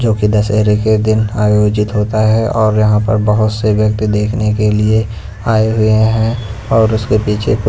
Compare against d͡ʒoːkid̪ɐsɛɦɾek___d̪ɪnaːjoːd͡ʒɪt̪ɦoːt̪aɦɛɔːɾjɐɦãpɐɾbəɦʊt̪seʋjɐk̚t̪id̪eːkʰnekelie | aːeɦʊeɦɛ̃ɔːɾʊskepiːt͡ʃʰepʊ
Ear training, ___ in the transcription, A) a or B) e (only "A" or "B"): B